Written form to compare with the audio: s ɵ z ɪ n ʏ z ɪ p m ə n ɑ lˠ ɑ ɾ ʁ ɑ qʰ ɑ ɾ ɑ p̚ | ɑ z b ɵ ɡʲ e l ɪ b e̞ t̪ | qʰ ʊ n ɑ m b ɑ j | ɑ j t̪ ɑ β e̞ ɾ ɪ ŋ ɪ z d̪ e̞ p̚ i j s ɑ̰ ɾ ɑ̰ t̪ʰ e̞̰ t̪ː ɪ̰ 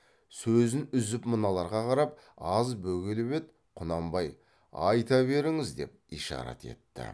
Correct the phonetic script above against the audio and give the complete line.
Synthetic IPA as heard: s ɵ z ɪ n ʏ z ɪ p m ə n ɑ lˠ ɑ ɾ ʁ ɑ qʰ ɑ ɾ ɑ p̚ | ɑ z b ɵ ɡʲ e l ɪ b e̞ t̪ | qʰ ʊ n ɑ m b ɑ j | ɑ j t̪ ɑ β e̞ ɾ ɪ ŋ ɪ z d̪ e̞ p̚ i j ʃ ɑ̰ ɾ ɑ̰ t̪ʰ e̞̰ t̪ː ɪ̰

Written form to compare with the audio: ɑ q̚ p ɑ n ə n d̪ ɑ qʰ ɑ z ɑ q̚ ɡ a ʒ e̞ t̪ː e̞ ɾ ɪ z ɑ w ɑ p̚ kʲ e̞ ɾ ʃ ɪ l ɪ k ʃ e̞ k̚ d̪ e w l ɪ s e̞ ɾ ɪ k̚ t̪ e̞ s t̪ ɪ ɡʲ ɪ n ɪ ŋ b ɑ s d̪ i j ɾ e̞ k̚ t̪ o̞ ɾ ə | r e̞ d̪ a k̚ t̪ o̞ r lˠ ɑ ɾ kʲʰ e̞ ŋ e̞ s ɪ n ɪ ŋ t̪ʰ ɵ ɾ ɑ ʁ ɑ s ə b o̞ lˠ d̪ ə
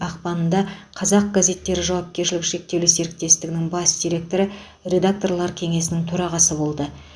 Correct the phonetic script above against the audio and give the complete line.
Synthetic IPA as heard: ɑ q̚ p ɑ n ə n d̪ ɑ qʰ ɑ z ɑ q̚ ɡ a z e̞ t̪ː e̞ ɾ ɪ ʒ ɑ w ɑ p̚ kʲ e̞ ɾ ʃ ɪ l ɪ k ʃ e̞ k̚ t̪ e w l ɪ s e̞ ɾ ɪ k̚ t̪ e̞ s t̪ ɪ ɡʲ ɪ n ɪ ŋ b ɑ s d̪ i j ɾ e̞ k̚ t̪ o̞ ɾ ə | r e̞ d̪ a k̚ t̪ o̞ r lˠ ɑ ɾ kʲʰ e̞ ŋ e̞ s ɪ n ɪ ŋ t̪ʰ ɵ ɾ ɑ ʁ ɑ s ə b o̞ lˠ d̪ ə

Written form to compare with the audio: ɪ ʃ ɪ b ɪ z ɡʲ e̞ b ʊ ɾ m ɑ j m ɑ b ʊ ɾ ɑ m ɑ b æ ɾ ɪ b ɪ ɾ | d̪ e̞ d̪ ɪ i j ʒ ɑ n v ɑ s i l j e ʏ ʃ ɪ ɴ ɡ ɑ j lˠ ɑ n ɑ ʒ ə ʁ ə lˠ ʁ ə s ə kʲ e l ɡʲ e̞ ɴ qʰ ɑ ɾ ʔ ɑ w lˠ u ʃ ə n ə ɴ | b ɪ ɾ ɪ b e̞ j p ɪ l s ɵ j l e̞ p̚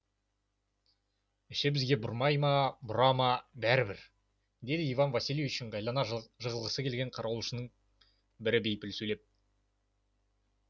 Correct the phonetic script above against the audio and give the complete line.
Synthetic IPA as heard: ɪ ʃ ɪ b ɪ z ɡʲ e̞ b ʊ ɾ m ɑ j m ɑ b ʊ ɾ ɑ m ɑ b æ ɾ ɪ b ɪ ɾ | d̪ e̞ d̪ ɪ i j v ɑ n v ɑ s i l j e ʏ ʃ ɪ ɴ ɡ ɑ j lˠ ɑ n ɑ ʒ ə ʁ ə lˠ ʁ ə s ə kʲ e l ɡʲ e̞ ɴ qʰ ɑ ɾ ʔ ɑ w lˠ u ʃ ə n ə ɴ | b ɪ ɾ ɪ b e̞ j p ɪ l s ɵ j l e̞ p̚

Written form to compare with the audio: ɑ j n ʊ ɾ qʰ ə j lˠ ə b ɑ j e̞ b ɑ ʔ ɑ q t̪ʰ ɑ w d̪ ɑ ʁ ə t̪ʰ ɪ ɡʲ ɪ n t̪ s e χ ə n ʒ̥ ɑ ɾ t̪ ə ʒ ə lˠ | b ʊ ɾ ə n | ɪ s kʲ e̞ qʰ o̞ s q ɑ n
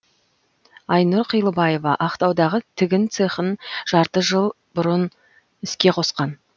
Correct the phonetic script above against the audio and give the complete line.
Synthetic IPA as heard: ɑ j n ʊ ɾ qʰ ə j lˠ ə b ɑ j e̞ v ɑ ʔ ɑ q t̪ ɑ w d̪ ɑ ʁ ə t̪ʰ ɪ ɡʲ ɪ n t̪ s e χ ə n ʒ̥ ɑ ɾ t̪ ə ʒ ə lˠ | b ʊ ɾ ə n | ɪ s kʲ e̞ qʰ o̞ s q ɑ n

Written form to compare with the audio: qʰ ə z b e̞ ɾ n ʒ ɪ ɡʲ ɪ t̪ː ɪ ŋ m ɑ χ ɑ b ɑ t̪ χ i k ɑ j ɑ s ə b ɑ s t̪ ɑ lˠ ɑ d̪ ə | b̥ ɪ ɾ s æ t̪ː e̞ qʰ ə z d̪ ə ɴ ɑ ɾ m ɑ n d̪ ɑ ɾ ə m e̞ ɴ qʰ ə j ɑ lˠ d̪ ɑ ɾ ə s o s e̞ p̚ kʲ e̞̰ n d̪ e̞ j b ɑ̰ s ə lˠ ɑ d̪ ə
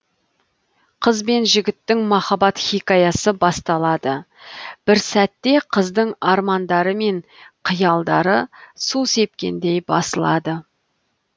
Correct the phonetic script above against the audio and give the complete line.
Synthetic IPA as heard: qʰ ə z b e̞ n ʒ ɪ ɡʲ ɪ t̪ː ɪ ŋ m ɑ χ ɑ b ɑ t̪ χ i k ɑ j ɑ s ə b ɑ s t̪ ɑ lˠ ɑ d̪ ə | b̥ ɪ ɾ s æ t̪ː e̞ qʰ ə z d̪ ə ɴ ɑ ɾ m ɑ n d̪ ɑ ɾ ə m e̞ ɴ qʰ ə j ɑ lˠ d̪ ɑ ɾ ə s u s e̞ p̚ kʲ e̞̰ n d̪ e̞ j b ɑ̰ s ə lˠ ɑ d̪ ə

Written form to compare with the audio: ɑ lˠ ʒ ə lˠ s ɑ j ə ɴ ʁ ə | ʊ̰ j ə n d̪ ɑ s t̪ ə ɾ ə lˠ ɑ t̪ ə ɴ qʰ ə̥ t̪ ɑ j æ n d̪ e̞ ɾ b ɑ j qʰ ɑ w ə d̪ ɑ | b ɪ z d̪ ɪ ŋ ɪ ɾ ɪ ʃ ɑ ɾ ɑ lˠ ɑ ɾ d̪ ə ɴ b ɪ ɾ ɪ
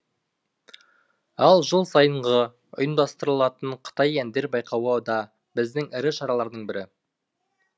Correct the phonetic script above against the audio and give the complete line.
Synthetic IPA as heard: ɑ lˠ ʒ ə lˠ s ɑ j ə ɴ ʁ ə | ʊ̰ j ə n d̪ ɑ s t̪ ə ɾ ə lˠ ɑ t̪ ə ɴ qʰ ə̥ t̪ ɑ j æ n d̪ e̞ ɾ b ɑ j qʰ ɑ w ə d̪ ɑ | b ɪ z d̪ ɪ ŋ ɪ ɾ ɪ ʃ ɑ ɾ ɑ lˠ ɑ ɾ d̪ ə ɴ b ɪ ɾ ɪ

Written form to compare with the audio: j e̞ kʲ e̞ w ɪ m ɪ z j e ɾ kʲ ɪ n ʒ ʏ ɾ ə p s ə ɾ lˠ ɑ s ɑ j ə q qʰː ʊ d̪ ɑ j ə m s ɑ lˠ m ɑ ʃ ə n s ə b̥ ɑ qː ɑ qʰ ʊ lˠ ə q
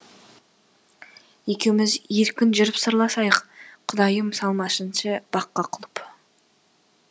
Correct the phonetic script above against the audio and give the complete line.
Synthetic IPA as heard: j e̞ kʲ e̞ w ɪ m ɪ z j e ɾ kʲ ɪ n ʒ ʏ ɾ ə p s ə ɾ lˠ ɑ s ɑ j ə q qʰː ʊ d̪ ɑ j ə m s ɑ lˠ m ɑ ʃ ə n ʃ ə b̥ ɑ qː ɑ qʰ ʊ lˠ ə p

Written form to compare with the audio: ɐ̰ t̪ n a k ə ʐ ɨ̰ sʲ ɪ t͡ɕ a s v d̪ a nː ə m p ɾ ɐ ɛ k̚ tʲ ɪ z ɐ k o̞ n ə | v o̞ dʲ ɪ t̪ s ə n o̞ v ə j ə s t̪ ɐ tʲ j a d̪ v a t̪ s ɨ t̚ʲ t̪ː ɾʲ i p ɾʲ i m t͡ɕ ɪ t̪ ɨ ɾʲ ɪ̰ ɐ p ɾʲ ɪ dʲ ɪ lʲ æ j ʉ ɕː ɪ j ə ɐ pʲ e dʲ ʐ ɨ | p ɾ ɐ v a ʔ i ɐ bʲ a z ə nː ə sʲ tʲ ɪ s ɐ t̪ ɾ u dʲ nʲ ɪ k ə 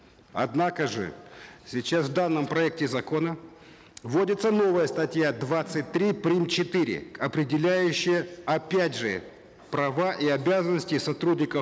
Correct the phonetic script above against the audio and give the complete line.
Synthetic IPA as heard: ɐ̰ d̪ n a k ə ʐ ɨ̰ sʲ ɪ t͡ɕ a s v d̪ a nː ə m p ɾ ɐ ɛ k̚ tʲ ɪ z ɐ k o̞ n ə | v o̞ dʲ ɪ t̪ s ə n o̞ v ə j ə s t̪ ɐ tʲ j a d̪ v a t̪ s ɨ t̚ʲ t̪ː ɾʲ i p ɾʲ i m t͡ɕ ɪ t̪ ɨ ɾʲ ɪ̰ ɐ p ɾʲ ɪ dʲ ɪ lʲ æ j ʉ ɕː ɪ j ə ɐ pʲ æ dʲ ʐ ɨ | p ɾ ɐ v a ʔ i ɐ bʲ a z ə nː ə sʲ tʲ ɪ s ɐ t̪ ɾ u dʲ nʲ ɪ k ə

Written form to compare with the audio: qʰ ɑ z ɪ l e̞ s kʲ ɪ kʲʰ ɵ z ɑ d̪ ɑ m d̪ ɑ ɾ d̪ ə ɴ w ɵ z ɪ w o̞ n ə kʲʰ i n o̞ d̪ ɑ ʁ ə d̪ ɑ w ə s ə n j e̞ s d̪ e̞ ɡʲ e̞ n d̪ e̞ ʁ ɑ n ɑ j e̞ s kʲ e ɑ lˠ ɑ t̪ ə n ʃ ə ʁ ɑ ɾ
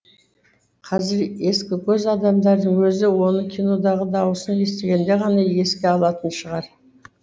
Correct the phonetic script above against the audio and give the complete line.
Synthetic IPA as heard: qʰ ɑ z ɪ ɾ e̞ s kʲ ɪ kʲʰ ɵ z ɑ d̪ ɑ m d̪ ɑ ɾ d̪ ə ɴ w ɵ z ɪ w o̞ n ə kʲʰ i n o̞ d̪ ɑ ʁ ə d̪ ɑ w ə s ə n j e̞ s t̪ e̞ ɡʲ e̞ n d̪ e̞ ʁ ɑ n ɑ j e̞ s kʲ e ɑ lˠ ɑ t̪ ə n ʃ ə ʁ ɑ ɾ

